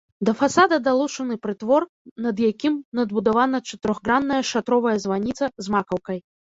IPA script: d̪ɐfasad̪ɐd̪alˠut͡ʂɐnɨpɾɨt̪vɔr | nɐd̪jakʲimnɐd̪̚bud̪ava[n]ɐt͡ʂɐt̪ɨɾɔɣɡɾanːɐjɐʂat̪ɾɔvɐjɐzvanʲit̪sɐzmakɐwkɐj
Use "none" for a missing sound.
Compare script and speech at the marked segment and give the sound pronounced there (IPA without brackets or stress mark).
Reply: n